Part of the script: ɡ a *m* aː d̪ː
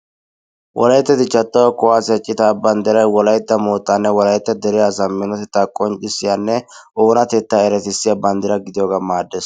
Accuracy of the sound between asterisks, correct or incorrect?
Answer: correct